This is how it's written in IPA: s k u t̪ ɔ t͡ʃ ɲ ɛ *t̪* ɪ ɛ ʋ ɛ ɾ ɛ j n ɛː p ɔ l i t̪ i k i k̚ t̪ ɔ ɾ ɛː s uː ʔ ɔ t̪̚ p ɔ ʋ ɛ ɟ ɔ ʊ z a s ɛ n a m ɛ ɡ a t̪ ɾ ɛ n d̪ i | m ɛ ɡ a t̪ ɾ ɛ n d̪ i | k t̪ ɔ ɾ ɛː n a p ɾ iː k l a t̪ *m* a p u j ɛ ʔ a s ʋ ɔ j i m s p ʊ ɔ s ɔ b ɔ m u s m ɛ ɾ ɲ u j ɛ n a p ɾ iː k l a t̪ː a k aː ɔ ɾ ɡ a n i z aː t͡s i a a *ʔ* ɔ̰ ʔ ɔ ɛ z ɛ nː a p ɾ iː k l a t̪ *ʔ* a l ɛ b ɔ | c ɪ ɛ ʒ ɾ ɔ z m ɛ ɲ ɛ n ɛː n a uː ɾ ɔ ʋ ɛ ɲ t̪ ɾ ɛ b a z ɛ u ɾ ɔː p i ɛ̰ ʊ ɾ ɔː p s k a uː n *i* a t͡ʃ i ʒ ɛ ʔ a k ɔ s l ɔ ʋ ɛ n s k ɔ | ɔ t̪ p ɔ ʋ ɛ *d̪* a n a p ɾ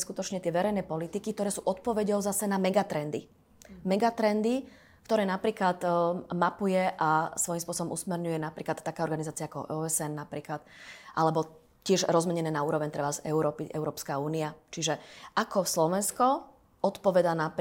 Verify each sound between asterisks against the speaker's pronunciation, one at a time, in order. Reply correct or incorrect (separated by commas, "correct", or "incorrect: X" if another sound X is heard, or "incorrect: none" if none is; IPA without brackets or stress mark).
correct, correct, incorrect: k, correct, correct, correct